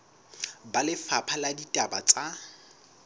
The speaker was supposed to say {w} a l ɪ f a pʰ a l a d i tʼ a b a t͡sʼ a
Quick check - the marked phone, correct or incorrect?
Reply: incorrect